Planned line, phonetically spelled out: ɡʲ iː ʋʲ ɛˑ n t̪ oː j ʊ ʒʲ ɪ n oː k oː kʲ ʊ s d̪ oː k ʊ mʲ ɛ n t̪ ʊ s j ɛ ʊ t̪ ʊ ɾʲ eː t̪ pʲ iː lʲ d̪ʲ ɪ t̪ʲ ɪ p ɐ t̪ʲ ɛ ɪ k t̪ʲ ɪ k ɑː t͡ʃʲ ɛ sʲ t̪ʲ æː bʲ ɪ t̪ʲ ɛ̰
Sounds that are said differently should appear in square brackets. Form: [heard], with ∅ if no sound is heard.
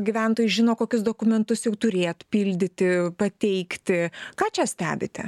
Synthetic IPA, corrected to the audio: ɡʲ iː ʋʲ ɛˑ n t̪ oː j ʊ ʒʲ ɪ n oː k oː kʲ ʊ s d̪ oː k ʊ mʲ ɛ n t̪ ʊ s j ɛ ʊ t̪ ʊ ɾʲ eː t̪ pʲ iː lʲ d̪ʲ ɪ t̪ʲ ɪ p ɐ t̪ʲ ɛ ɪ k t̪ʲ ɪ k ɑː t͡ʃʲ ɛ sʲ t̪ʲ æː bʲ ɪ t̪ʲ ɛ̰